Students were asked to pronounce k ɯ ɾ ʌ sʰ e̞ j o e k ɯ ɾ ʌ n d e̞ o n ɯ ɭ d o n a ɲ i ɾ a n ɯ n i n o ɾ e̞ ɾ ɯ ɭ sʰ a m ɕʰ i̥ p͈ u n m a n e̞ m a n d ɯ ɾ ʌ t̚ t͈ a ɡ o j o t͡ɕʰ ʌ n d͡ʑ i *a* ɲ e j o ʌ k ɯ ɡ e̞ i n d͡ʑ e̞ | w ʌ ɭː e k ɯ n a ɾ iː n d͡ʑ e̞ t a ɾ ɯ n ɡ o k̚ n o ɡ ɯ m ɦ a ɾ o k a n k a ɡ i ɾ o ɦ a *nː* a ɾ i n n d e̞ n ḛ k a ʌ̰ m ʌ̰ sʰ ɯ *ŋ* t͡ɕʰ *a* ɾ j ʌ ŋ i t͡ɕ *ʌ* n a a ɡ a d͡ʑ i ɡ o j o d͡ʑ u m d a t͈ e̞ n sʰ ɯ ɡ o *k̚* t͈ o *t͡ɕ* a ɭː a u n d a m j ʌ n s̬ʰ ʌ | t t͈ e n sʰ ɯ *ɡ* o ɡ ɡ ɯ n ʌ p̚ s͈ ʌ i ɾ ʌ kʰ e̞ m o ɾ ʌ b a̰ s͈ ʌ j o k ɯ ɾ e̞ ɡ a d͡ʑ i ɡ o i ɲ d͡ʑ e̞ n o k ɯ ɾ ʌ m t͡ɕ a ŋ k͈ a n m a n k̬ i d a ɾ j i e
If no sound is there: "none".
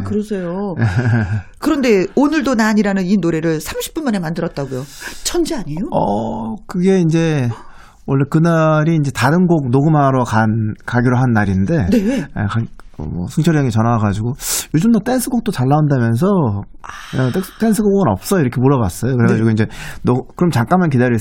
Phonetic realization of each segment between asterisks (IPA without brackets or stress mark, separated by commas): a, nː, ŋ, ʌ, ʌ, k̚, t͡ɕ, ɡ